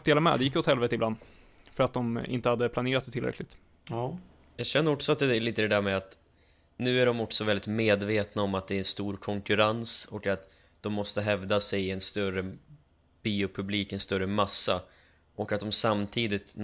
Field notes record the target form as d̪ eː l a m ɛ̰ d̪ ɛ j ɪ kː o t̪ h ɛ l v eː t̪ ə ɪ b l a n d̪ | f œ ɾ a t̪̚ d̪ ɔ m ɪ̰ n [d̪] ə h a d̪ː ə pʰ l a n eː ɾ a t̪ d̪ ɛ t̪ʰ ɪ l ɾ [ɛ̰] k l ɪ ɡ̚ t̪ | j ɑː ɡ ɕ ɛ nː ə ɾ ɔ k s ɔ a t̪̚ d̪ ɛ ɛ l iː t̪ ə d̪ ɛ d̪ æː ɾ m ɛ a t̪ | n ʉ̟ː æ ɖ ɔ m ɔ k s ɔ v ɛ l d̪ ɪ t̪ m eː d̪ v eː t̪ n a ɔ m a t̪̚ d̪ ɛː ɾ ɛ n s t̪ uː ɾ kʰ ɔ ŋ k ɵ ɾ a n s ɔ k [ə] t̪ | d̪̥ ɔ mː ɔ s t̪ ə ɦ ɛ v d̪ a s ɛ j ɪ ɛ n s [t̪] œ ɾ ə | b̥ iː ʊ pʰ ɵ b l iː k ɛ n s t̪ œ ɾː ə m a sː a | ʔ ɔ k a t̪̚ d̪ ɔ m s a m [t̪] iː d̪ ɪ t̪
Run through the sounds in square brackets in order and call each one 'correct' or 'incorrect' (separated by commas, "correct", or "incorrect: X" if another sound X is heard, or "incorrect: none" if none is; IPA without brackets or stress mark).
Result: incorrect: t̪, correct, incorrect: a, correct, incorrect: t̪ʰ